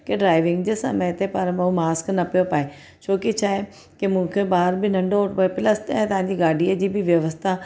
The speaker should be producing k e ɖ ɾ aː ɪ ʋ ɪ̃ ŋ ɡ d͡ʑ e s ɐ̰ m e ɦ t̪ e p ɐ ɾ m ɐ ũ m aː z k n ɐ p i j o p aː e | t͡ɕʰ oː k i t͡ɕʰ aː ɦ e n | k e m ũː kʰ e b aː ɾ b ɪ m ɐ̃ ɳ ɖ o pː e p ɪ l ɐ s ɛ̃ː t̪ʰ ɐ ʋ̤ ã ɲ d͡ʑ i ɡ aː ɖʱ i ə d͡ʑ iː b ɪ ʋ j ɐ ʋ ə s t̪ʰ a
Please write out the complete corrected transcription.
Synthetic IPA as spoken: k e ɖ ɾ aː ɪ ʋ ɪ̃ ŋ ɡ d͡ʑ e s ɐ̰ m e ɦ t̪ e p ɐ ɾ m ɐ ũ m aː s k n ɐ p i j o p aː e | t͡ɕʰ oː k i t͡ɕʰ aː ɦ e | k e m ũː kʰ e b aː ɾ b ɪ n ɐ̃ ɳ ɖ o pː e p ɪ l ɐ s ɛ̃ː t̪ ɐ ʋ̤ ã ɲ d͡ʑ i ɡ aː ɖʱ i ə d͡ʑ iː b ɪ ʋ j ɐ ʋ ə s t̪ʰ a